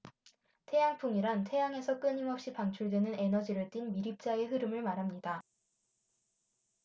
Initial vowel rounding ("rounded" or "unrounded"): unrounded